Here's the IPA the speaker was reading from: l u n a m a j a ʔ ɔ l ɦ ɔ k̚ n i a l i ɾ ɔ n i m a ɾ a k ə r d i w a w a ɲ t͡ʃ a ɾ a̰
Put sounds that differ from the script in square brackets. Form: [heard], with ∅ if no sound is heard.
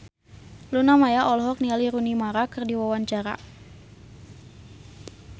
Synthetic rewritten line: l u n a m a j a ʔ ɔ l ɦ ɔ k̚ n i a l i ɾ [u] n i m a ɾ a k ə r d i w a w a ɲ t͡ʃ a ɾ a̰